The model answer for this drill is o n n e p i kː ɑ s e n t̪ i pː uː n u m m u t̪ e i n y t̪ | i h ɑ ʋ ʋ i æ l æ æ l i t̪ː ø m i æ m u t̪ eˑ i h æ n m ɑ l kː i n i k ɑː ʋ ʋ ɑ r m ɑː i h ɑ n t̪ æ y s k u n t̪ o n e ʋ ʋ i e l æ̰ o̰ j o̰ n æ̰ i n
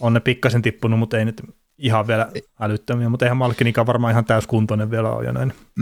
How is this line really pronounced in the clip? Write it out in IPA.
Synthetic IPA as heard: o n n e p i kː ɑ s e n t̪ i pː u n u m m u t̪ e i n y t̪ | i h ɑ ʋ ʋ i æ l æ æ l y t̪ː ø m i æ m u t̪ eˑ i h æ m m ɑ l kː i n i k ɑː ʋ ʋ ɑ r m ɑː i h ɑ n t̪ æ y s k u n t̪ o n e ʋ ʋ i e l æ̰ o̰ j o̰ n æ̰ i n